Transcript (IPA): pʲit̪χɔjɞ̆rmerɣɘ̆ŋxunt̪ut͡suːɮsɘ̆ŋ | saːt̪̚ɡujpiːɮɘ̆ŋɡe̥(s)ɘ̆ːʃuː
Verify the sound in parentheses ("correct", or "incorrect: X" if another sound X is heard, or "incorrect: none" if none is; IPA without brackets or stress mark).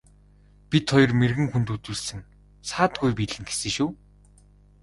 correct